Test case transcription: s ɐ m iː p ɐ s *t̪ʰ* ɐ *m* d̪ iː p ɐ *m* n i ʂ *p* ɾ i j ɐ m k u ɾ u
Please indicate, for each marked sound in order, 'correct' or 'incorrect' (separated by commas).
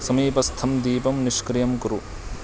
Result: correct, correct, correct, incorrect